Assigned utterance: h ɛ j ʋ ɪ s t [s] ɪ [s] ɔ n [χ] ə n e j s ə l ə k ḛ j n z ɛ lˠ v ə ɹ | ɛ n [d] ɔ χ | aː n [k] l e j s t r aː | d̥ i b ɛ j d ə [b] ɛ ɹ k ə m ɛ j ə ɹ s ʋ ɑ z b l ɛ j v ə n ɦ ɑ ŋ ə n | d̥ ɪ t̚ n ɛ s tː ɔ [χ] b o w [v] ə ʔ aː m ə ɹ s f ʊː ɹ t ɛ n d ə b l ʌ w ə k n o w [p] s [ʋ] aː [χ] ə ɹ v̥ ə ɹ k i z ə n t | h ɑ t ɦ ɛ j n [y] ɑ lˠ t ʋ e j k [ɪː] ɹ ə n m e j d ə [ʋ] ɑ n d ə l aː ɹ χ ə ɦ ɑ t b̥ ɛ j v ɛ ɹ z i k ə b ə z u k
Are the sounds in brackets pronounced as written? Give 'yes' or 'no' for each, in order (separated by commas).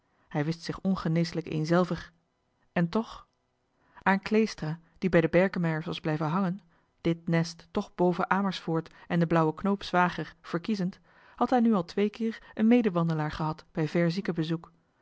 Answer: yes, no, yes, no, yes, yes, yes, yes, yes, yes, yes, yes, yes, yes